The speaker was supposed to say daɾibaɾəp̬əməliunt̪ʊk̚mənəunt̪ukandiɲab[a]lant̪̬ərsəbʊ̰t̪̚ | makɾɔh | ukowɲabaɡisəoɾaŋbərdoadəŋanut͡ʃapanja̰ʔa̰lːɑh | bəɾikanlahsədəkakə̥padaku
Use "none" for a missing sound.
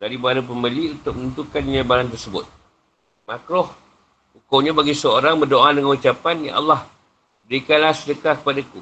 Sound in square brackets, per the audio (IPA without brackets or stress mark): a